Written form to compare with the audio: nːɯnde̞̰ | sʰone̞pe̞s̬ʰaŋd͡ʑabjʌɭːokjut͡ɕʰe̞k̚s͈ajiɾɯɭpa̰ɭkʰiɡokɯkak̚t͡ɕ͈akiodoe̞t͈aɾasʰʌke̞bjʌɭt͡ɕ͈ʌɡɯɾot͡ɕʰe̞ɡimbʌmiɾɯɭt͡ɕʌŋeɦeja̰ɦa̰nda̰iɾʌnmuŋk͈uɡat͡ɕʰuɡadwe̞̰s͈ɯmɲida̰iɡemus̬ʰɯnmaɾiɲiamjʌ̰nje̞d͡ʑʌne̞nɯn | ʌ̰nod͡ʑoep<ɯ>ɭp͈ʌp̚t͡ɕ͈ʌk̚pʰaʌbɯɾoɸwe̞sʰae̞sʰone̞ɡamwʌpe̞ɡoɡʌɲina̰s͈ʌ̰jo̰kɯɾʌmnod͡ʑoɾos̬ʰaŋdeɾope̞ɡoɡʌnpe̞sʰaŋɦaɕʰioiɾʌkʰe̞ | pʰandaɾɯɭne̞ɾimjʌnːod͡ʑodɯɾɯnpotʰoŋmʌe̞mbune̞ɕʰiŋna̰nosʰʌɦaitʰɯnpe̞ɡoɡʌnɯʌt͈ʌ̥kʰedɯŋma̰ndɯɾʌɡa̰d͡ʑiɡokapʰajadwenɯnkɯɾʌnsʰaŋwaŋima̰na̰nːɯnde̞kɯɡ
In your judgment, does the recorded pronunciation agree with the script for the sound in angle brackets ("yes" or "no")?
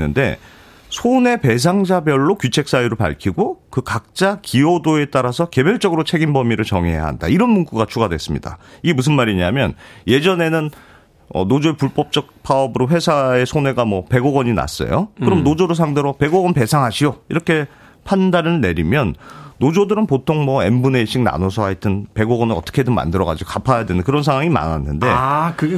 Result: no